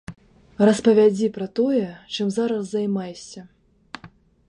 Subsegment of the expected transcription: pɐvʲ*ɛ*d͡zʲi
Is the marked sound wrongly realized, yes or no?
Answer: yes